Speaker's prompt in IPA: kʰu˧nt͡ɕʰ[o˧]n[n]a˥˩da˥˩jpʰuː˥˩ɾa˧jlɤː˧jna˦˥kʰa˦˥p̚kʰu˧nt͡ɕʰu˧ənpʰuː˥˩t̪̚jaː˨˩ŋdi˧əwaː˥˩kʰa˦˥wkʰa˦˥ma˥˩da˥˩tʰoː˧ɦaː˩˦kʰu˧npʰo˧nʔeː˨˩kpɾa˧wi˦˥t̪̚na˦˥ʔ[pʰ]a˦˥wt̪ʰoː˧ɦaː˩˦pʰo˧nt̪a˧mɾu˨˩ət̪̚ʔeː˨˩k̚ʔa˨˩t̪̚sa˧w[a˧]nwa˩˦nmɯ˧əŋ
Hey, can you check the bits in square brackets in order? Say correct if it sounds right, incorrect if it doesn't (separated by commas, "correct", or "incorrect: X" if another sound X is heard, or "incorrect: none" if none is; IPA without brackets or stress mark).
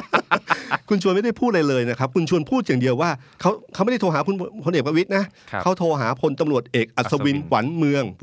incorrect: u˧, incorrect: m, incorrect: kʰ, incorrect: i˧